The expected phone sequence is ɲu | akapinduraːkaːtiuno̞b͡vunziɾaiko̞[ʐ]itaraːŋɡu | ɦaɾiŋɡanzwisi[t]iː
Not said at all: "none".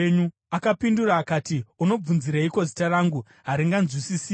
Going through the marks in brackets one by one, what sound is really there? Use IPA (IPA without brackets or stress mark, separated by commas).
z, s